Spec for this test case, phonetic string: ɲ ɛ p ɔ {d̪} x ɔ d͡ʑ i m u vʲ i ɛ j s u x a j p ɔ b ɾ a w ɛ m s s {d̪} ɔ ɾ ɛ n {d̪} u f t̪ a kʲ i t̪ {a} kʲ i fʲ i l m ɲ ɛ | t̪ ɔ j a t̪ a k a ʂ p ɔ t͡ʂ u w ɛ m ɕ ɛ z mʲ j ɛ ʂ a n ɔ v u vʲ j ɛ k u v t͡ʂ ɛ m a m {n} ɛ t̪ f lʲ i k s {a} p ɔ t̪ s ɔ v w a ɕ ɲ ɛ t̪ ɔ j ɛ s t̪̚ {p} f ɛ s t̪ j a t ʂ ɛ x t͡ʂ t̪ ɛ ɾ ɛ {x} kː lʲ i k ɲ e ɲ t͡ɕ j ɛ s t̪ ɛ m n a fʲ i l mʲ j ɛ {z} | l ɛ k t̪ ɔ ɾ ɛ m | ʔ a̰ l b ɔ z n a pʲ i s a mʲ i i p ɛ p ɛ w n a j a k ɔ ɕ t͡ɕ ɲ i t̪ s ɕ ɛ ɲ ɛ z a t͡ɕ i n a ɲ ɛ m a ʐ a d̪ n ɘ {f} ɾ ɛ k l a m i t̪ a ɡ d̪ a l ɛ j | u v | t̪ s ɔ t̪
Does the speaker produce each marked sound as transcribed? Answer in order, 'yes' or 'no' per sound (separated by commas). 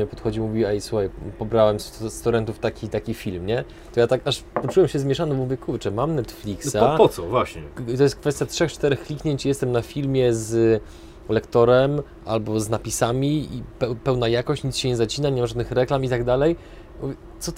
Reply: no, no, no, yes, yes, yes, no, yes, yes, no